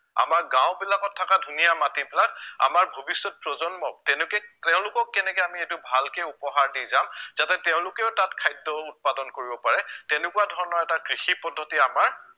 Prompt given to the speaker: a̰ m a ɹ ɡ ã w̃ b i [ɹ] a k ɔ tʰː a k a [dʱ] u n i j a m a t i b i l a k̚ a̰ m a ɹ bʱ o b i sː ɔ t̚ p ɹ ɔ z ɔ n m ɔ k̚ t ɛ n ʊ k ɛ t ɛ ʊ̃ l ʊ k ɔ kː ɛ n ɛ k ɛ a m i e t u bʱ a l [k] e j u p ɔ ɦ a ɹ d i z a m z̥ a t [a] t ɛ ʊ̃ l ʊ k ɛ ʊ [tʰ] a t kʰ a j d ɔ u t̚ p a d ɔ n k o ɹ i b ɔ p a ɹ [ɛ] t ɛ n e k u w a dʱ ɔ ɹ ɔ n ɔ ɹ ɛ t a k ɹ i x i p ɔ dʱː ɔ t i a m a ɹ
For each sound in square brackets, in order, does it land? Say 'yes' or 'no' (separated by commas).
no, yes, yes, no, no, yes